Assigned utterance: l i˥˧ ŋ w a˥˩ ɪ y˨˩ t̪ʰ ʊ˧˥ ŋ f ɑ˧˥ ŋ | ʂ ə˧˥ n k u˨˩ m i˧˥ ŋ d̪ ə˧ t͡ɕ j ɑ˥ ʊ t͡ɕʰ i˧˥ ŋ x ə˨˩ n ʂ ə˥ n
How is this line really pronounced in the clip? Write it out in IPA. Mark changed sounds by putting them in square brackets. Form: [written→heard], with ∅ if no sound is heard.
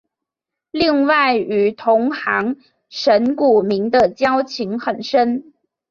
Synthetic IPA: l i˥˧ ŋ w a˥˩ ɪ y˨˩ t̪ʰ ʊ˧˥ ŋ [f→x] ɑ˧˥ ŋ | ʂ ə˧˥ n k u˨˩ m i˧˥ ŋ d̪ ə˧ t͡ɕ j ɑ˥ ʊ t͡ɕʰ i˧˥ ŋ x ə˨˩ n ʂ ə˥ n